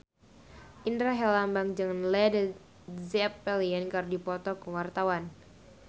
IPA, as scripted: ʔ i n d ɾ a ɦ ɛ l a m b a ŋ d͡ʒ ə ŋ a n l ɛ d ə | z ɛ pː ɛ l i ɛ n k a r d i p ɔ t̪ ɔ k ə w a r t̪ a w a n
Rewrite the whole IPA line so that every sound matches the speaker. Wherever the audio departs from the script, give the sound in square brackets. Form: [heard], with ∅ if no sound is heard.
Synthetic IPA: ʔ i n d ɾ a ɦ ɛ l a m b a ŋ d͡ʒ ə ŋ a n l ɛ d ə | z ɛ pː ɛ l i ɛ n k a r d i p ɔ t̪ ɔ k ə w a r t̪ a w a n

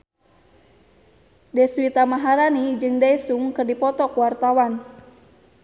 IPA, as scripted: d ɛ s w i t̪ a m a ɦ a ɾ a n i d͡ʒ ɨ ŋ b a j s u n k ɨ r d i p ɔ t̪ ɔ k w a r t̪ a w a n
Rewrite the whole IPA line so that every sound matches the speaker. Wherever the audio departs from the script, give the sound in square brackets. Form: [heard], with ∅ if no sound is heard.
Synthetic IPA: d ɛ s w i t̪ a m a ɦ a ɾ a n i d͡ʒ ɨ ŋ [d] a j s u [ŋ] k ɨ r d i p ɔ t̪ ɔ k w a r t̪ a w a n

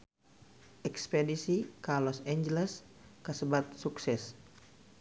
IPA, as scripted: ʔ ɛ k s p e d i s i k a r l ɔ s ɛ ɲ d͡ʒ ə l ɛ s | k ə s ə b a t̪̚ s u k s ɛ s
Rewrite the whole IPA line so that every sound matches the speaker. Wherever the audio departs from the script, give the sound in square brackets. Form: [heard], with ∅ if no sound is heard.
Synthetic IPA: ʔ ɛ k s p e d i s i k a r l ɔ s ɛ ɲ d͡ʒ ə l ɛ s | k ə s ə b a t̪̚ s u k s ɛ s

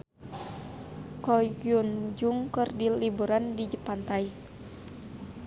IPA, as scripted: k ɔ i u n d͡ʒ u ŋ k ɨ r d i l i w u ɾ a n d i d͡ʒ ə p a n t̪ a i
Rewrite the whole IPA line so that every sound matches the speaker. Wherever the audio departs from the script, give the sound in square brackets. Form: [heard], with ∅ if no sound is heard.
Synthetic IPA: k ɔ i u n d͡ʒ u ŋ k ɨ r d i l i [b] u ɾ a n d i d͡ʒ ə p a n t̪ a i

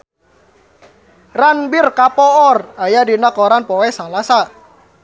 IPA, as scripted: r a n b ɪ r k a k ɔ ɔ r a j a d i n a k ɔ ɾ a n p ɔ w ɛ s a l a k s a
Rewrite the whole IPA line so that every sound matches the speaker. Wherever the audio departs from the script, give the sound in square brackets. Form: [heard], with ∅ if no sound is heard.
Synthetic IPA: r a n b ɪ r k a [p] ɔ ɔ r a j a d i n a k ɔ ɾ a n p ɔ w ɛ s a l a [∅] s a

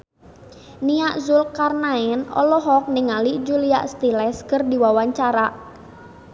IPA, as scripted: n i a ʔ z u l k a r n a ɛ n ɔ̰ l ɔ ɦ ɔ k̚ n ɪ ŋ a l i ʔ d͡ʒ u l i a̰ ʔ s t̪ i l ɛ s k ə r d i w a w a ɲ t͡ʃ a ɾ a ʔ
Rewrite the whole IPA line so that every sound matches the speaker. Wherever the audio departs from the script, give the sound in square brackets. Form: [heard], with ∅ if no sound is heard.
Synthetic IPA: n i a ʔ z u l k a r n a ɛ n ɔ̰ l ɔ ɦ ɔ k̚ n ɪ ŋ a l i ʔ d͡ʒ u l i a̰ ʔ s t̪ i l ɛ s k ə r d i w a w a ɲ t͡ʃ a ɾ a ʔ

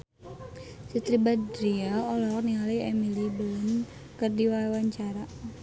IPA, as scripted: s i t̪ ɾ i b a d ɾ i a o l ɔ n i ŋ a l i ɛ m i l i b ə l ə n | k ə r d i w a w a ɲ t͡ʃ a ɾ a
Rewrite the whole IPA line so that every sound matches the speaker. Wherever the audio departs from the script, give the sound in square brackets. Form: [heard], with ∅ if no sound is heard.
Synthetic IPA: s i t̪ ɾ i b a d ɾ i a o l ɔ n i ŋ a l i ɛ m i l i b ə l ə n | k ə r d i w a w a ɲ t͡ʃ a ɾ a

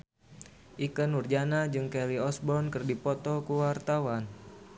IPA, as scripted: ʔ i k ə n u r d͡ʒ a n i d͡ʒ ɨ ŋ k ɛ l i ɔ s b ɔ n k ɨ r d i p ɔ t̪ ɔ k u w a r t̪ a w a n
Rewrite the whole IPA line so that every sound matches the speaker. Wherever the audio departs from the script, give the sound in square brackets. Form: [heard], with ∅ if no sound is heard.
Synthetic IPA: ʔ i k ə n u r d͡ʒ a n [a] d͡ʒ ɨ ŋ k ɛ l i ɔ s b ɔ n k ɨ r d i p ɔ t̪ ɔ k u w a r t̪ a w a n

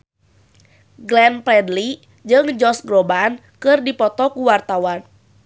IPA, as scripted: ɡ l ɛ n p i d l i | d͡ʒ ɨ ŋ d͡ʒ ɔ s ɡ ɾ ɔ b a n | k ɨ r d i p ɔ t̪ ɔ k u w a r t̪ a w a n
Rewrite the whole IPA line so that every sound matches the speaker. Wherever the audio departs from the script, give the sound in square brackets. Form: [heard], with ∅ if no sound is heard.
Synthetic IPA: ɡ l ɛ n p [ɛ] d l i | d͡ʒ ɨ ŋ d͡ʒ ɔ s ɡ ɾ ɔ b a n | k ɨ r d i p ɔ t̪ ɔ k u w a r t̪ a w a n

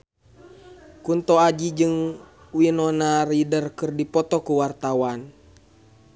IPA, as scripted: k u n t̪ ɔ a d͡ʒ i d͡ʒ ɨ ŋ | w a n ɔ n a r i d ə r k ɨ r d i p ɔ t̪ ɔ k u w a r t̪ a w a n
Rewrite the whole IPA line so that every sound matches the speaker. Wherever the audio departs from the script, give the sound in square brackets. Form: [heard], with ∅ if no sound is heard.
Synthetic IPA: k u n t̪ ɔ a d͡ʒ i d͡ʒ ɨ ŋ | w [i] n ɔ n a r i d ə r k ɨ r d i p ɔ t̪ ɔ k u w a r t̪ a w a n

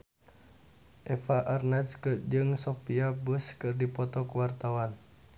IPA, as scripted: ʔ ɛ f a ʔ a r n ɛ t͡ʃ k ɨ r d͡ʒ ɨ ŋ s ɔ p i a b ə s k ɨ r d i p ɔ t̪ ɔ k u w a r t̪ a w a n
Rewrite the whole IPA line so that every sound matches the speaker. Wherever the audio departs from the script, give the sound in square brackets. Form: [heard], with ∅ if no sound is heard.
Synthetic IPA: ʔ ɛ f a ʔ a r n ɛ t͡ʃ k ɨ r d͡ʒ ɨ ŋ s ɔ p i a b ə s k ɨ r d i p ɔ t̪ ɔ k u w a r t̪ a w a n

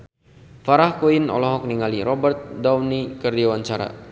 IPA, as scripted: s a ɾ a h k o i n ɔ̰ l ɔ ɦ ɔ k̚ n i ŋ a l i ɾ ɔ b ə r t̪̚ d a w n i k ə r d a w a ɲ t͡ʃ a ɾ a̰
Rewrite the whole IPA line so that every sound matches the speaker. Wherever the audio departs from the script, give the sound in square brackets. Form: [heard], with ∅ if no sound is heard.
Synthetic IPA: [f] a ɾ a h k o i n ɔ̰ l ɔ ɦ ɔ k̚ n i ŋ a l i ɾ ɔ b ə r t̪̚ d a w n i k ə r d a w a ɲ t͡ʃ a ɾ a̰

